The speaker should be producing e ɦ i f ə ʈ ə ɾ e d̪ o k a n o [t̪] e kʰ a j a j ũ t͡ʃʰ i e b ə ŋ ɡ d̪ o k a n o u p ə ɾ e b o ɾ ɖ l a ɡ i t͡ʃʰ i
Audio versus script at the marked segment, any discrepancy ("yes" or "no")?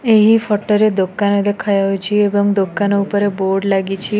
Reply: yes